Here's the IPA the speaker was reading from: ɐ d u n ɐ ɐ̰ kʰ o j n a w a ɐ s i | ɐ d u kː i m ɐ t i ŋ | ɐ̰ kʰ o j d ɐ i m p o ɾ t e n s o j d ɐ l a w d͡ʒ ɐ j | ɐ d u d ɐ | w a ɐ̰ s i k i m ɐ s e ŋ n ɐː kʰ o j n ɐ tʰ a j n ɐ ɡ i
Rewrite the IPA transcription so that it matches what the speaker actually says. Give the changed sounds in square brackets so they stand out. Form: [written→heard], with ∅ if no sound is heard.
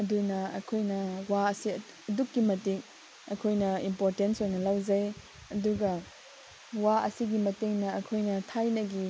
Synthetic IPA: ɐ d u n ɐ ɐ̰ kʰ o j n [a→ɐ] w a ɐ s i | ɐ d u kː i m ɐ t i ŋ | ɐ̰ kʰ o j [d→n] ɐ i m p o ɾ t e n s o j [d→n] ɐ l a w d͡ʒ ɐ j | ɐ d u [d→ɡ] ɐ | w a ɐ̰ s i [k→ɡ] i m ɐ [s→t] e ŋ n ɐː kʰ o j n ɐ tʰ a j n ɐ ɡ i